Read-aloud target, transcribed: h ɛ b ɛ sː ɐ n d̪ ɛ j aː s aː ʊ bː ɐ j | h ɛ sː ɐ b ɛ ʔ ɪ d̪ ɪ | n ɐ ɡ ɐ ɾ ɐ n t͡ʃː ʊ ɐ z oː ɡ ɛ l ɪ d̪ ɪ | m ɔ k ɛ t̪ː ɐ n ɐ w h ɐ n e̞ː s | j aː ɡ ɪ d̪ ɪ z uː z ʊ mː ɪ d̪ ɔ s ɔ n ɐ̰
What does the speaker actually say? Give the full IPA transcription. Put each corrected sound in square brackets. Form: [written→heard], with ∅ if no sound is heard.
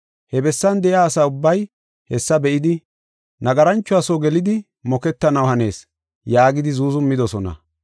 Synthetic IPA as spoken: h ɛ b ɛ sː ɐ n d̪ ɛ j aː s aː ʊ bː ɐ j | h ɛ sː ɐ b ɛ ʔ ɪ d̪ ɪ | n ɐ ɡ ɐ ɾ ɐ n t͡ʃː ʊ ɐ [z→s] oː ɡ ɛ l ɪ d̪ ɪ | m ɔ k ɛ t̪ː ɐ n ɐ w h ɐ n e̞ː s | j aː ɡ ɪ d̪ ɪ z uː z ʊ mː ɪ d̪ ɔ s ɔ n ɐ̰

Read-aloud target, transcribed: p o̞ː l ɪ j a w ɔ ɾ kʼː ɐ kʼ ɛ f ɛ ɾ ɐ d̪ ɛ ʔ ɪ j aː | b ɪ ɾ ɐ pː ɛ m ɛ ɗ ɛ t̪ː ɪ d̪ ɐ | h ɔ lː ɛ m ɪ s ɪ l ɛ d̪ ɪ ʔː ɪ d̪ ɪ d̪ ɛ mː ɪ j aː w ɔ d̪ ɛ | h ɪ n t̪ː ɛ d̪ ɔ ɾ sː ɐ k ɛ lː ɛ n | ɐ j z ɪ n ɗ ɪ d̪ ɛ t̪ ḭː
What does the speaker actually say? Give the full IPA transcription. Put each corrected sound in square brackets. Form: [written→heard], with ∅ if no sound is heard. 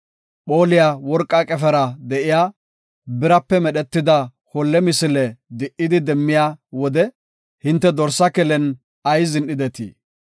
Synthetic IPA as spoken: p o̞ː l ɪ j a w ɔ ɾ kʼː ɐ kʼ ɛ f ɛ ɾ ɐ d̪ ɛ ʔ ɪ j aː | b ɪ ɾ ɐ pː ɛ m ɛ ɗ ɛ t̪ː ɪ d̪ ɐ | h ɔ lː ɛ m ɪ s ɪ l ɛ d̪ ɪ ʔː ɪ d̪ ɪ d̪ ɛ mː ɪ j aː w ɔ d̪ ɛ | h ɪ n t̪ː ɛ d̪ ɔ ɾ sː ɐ k ɛ [lː→l] ɛ n | ɐ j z ɪ n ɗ ɪ d̪ ɛ t̪ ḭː

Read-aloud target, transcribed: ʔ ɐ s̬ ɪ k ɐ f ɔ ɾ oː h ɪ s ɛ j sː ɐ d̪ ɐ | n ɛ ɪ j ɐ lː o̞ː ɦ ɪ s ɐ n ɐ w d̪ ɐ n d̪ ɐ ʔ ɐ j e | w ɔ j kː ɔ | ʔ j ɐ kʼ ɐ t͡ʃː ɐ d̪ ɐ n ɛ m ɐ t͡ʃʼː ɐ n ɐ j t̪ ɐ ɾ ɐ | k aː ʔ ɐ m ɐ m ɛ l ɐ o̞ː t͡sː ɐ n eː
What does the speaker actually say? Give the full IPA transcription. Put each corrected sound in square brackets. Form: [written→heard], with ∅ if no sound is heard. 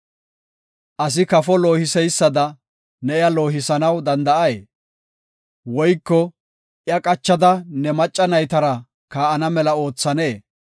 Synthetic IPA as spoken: ʔ ɐ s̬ ɪ k ɐ f ɔ [ɾ→l] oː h ɪ s ɛ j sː ɐ d̪ ɐ | n ɛ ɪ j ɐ [lː→l] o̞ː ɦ ɪ s ɐ n ɐ w d̪ ɐ n d̪ ɐ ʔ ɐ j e | w ɔ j kː ɔ | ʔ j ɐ kʼ ɐ t͡ʃː ɐ d̪ ɐ n ɛ m ɐ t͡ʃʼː ɐ n ɐ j t̪ ɐ ɾ ɐ | k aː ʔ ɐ [m→n] ɐ m ɛ l ɐ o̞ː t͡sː ɐ n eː

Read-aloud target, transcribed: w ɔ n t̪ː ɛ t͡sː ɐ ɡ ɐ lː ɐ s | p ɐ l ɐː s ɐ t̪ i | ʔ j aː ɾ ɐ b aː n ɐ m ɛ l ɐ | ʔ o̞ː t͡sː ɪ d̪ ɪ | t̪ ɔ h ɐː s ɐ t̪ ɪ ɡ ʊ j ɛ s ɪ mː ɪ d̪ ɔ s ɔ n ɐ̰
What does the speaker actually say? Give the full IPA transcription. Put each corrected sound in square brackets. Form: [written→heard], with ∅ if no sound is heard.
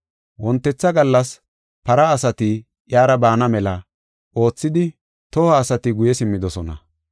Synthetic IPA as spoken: w ɔ n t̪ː ɛ t͡sː ɐ ɡ ɐ lː ɐ s | p ɐ [l→ɾ] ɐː s ɐ t̪ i | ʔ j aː ɾ ɐ b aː n ɐ m ɛ l ɐ | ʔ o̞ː t͡sː ɪ d̪ ɪ | t̪ ɔ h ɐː s ɐ t̪ ɪ ɡ ʊ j ɛ s ɪ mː ɪ d̪ ɔ s ɔ n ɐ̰

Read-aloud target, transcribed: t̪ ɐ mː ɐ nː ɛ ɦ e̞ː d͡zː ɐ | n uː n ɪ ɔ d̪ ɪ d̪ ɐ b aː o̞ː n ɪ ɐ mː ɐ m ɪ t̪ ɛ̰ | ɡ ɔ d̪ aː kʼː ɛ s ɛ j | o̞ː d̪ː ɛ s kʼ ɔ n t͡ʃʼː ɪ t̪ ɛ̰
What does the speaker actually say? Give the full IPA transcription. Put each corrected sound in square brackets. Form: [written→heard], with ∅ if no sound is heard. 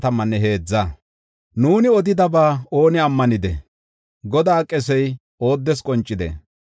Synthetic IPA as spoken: t̪ ɐ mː ɐ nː ɛ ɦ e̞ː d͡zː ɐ | n uː n ɪ ɔ d̪ ɪ d̪ ɐ b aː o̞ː n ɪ ɐ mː ɐ [m→n] ɪ [t̪→d̪] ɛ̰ | ɡ ɔ d̪ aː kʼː ɛ s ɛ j | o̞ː d̪ː ɛ s kʼ ɔ n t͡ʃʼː ɪ [t̪→d̪] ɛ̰

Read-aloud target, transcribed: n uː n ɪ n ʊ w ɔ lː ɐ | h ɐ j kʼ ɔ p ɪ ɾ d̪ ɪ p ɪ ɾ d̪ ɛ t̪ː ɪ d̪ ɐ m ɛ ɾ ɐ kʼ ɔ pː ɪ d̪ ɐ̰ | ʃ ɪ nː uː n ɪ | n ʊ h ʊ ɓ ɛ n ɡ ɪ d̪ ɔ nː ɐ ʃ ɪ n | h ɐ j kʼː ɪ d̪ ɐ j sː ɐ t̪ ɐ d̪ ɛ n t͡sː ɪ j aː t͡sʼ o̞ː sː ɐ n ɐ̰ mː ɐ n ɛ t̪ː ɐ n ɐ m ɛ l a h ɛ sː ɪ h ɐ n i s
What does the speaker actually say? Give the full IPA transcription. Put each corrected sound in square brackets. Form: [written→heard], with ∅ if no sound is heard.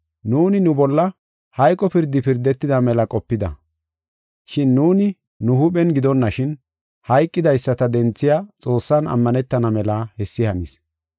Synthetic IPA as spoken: n uː n ɪ n ʊ [w→b] ɔ lː ɐ | h ɐ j kʼ ɔ p ɪ ɾ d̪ ɪ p ɪ ɾ d̪ ɛ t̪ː ɪ d̪ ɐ m ɛ [ɾ→l] ɐ kʼ ɔ pː ɪ d̪ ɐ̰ | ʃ ɪ nː uː n ɪ | n ʊ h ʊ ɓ ɛ n ɡ ɪ d̪ ɔ nː ɐ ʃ ɪ n | h ɐ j kʼː ɪ d̪ ɐ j sː ɐ t̪ ɐ d̪ ɛ n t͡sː ɪ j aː t͡sʼ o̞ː sː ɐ n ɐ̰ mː ɐ n ɛ t̪ː ɐ n ɐ m ɛ l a h ɛ sː ɪ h ɐ n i s

